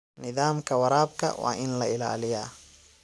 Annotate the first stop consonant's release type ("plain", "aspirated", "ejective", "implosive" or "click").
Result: aspirated